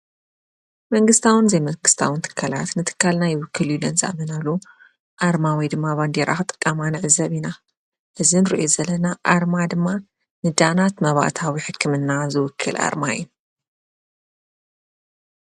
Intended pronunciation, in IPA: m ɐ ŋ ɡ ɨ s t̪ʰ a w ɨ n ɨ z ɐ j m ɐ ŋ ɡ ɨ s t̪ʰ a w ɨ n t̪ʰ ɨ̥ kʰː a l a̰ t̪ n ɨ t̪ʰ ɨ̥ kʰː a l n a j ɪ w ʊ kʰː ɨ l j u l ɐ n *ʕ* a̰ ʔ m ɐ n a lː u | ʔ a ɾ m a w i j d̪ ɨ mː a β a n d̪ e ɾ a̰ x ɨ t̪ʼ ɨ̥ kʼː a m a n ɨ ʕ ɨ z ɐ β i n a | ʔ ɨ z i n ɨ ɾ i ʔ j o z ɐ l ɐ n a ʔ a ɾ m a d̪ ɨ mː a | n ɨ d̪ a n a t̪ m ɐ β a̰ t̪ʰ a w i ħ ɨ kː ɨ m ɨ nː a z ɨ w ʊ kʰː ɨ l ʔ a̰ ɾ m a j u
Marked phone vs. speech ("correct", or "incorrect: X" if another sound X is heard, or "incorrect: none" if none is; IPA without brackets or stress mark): incorrect: z